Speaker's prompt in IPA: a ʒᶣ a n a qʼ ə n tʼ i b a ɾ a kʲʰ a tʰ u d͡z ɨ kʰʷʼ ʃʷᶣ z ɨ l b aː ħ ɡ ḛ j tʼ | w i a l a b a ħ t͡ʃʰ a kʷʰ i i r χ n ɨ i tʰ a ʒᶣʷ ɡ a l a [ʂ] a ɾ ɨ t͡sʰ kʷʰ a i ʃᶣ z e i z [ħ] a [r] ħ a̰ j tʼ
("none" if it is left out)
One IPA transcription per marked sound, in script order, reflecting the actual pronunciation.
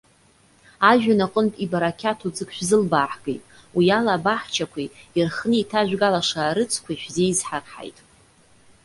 ʂ, ħ, r

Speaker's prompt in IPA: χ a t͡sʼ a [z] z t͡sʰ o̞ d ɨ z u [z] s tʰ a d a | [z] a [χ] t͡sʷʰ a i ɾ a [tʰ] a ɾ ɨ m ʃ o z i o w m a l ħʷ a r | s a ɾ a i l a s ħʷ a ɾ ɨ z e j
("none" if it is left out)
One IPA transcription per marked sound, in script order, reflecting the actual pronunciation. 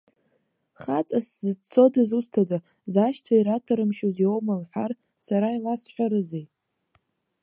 s, none, z, ʃ, tʰ

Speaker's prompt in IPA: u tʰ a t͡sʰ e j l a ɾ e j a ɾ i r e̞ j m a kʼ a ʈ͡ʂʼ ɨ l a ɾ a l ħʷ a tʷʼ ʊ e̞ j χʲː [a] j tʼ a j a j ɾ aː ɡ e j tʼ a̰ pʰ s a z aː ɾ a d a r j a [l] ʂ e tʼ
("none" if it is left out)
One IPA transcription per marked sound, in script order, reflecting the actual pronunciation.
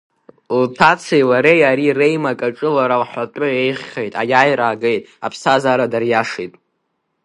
e, none

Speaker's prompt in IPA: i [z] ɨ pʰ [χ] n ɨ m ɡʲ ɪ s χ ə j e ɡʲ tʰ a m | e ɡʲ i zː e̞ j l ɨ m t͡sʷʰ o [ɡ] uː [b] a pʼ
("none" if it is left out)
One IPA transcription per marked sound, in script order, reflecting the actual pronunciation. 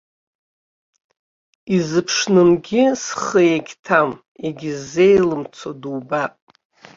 z, ʂ, d, b

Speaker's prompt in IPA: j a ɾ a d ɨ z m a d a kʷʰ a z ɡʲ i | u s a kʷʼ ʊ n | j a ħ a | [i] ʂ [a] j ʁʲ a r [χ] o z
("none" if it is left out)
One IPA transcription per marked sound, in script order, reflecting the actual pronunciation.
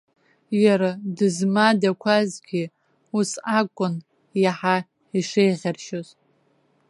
i, e, ʃ

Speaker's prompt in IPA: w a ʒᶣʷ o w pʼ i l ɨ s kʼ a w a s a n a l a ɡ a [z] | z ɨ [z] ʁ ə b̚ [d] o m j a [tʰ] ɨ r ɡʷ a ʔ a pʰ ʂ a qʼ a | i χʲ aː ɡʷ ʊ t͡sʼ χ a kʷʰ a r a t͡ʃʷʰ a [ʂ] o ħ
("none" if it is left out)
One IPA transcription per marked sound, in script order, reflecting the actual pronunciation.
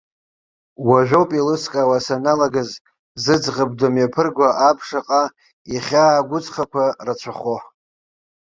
z, d͡z, d, pʰ, χ

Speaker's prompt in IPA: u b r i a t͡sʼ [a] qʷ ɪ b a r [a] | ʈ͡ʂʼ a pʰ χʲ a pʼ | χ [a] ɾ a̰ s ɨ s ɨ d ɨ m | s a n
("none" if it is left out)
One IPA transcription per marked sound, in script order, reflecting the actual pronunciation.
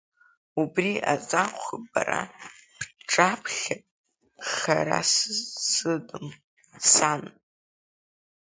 a, a, a

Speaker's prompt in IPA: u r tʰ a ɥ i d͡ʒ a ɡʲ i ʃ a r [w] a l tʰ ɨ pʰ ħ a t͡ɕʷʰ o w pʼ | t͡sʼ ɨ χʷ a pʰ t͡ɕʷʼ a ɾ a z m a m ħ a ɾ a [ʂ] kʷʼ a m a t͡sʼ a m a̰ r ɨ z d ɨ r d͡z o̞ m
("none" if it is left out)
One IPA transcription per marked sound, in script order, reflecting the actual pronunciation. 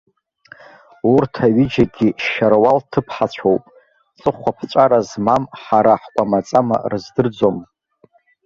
w, ħ

